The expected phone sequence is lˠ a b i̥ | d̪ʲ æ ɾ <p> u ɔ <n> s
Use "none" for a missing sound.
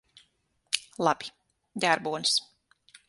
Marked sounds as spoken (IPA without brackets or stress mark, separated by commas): b, n